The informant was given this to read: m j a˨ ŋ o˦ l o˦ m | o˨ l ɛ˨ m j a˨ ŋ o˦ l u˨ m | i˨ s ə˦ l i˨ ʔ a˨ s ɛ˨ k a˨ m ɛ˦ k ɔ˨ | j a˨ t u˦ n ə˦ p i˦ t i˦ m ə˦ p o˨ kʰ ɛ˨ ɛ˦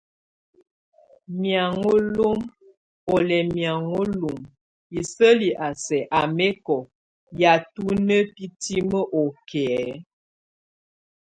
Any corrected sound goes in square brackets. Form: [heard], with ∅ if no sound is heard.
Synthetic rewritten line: m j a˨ ŋ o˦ l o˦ m | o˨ l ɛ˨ m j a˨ ŋ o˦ l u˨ m | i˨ s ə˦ l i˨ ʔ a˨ s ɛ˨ [ʔ] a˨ m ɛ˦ k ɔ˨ | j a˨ t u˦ n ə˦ p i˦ t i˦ m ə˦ [ʔ] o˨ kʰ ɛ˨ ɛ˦